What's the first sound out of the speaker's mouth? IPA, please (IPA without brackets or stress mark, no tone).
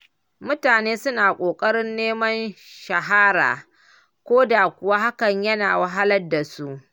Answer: m